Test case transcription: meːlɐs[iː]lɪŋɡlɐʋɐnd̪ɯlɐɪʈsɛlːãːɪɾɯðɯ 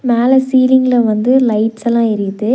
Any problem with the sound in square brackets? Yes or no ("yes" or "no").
no